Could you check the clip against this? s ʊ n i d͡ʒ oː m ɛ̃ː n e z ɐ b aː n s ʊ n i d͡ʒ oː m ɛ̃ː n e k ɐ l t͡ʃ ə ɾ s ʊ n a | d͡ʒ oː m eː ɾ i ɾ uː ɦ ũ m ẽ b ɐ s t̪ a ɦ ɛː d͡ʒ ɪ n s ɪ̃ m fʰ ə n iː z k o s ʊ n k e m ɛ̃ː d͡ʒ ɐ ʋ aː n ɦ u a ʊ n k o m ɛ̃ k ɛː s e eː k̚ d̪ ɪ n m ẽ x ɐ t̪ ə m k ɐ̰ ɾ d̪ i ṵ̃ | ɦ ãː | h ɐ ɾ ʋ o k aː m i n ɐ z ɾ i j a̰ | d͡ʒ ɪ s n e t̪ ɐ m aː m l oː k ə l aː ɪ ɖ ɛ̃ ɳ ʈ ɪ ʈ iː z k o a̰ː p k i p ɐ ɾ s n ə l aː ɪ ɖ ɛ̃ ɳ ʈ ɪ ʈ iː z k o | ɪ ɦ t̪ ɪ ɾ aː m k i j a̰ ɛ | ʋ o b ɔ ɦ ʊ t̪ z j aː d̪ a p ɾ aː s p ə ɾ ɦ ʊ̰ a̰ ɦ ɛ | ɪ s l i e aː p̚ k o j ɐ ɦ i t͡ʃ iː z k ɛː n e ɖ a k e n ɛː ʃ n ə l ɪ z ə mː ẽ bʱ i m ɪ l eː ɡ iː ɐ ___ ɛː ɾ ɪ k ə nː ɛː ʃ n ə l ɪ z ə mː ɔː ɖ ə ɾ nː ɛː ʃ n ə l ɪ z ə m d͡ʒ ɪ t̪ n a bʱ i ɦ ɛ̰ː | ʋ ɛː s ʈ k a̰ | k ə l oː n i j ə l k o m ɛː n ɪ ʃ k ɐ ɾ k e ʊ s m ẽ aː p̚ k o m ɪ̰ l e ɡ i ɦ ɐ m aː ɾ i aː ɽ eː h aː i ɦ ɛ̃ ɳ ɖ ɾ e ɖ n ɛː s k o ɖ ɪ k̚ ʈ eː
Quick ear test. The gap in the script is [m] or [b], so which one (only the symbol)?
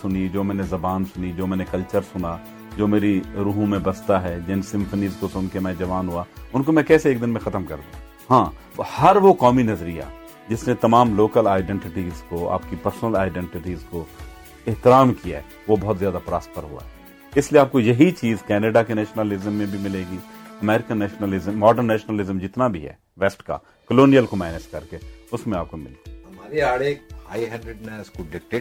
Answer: m